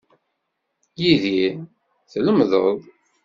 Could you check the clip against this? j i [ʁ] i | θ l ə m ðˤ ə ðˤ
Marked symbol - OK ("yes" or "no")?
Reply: no